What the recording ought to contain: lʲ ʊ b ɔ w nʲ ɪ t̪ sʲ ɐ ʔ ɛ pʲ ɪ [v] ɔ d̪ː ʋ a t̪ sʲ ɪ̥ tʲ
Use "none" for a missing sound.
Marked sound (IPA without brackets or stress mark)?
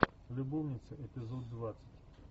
z